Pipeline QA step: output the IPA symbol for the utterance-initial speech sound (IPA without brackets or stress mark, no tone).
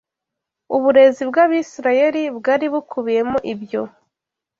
u